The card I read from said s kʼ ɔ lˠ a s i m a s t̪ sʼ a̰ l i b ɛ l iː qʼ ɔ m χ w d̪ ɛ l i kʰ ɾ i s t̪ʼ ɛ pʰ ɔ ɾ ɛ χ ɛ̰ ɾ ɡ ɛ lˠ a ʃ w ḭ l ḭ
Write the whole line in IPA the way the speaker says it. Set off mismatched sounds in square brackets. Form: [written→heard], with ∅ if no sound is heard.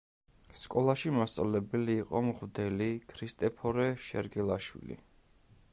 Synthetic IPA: s kʼ ɔ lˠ a [s→ʃ] i m a s t̪ sʼ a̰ l [i→ɛ] b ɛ l iː qʼ ɔ m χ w d̪ ɛ l i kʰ ɾ i s t̪ʼ ɛ pʰ ɔ ɾ ɛ [χ→ʃ] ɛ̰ ɾ ɡ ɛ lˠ a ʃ w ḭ l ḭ